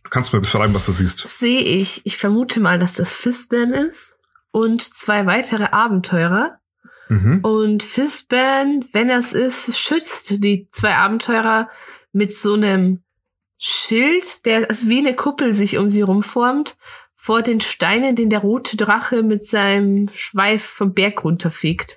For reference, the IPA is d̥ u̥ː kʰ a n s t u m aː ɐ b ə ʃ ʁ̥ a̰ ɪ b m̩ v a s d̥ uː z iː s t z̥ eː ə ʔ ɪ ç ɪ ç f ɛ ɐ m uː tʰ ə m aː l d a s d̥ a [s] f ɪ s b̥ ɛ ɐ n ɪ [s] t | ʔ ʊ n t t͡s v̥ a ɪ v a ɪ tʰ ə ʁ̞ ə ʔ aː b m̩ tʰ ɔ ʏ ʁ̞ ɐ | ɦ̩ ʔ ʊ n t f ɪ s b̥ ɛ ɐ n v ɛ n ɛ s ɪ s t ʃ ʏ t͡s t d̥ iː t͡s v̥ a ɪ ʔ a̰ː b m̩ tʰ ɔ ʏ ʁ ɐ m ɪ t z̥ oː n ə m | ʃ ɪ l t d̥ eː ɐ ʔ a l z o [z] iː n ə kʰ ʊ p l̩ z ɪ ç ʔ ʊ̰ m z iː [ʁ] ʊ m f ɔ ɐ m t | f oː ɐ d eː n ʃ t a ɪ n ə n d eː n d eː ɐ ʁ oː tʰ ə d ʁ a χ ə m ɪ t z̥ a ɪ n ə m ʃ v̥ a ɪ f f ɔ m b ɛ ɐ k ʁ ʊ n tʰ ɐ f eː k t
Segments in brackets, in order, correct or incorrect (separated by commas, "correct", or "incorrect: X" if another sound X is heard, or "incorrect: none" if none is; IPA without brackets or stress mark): correct, correct, incorrect: v, correct